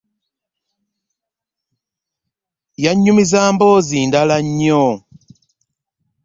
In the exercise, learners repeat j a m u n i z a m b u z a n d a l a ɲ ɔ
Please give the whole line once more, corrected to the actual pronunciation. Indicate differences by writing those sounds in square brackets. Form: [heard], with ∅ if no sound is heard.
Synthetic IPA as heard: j a [ɲ] u [m] i z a m b [ɔ] z [i] n d a l a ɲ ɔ